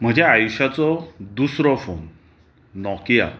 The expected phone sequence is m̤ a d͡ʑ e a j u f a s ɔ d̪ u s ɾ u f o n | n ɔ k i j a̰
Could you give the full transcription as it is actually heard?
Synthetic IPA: m̤ ə d͡ʑ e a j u ɕ a t͡s ɔ d̪ u s ɾ ɔ f o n | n ɔ k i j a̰